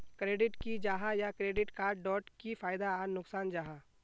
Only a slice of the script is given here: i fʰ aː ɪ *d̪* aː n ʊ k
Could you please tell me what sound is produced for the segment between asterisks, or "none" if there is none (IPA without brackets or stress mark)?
d̪